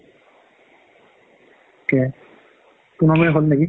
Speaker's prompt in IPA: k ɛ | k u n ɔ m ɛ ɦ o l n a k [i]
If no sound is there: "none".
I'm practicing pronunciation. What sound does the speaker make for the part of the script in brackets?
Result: i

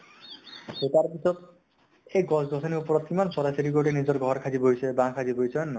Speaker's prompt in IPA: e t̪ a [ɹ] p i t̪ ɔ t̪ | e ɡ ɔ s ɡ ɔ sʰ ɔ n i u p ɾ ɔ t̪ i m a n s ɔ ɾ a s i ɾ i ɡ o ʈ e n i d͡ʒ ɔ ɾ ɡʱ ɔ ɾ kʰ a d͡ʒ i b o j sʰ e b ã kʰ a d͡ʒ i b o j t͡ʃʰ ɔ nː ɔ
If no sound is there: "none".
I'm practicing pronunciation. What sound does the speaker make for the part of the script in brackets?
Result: ɾ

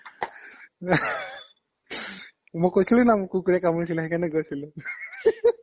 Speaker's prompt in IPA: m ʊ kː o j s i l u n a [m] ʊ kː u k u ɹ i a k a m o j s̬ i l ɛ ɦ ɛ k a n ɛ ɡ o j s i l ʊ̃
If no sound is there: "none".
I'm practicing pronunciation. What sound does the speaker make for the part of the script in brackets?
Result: m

